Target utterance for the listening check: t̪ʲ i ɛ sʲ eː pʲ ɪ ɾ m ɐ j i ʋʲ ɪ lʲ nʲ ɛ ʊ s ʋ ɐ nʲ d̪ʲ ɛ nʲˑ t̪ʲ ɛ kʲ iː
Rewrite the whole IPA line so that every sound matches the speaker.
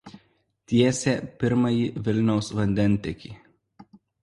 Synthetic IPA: t̪ʲ i ɛ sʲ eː pʲ ɪ ɾ m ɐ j i ʋʲ ɪ lʲ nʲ ɛ ʊ s ʋ ɐ nʲ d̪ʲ ɛ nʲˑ t̪ʲ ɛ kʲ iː